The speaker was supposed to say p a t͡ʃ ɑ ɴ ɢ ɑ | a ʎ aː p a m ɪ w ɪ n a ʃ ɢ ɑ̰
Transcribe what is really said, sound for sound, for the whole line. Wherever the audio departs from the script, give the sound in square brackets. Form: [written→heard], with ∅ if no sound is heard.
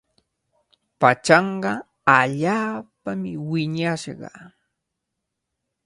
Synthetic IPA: p a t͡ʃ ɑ ɴ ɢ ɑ | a ʎ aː p a m ɪ w ɪ [n→ɲ] a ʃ ɢ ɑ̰